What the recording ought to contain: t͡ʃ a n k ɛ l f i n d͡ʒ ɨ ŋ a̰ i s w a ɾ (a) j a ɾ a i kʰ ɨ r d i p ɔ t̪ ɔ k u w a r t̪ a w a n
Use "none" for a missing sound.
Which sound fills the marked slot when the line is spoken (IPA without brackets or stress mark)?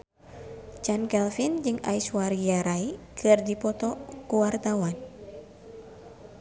i